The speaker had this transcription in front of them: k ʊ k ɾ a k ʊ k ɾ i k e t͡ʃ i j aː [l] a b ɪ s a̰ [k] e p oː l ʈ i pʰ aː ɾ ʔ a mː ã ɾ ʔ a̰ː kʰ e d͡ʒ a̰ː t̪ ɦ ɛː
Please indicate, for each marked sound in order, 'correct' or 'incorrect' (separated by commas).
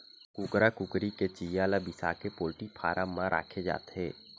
correct, correct